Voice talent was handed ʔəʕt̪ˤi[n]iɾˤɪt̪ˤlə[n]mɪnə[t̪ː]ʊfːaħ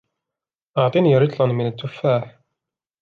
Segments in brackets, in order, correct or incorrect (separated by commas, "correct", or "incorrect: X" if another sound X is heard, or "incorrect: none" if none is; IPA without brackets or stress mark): correct, correct, correct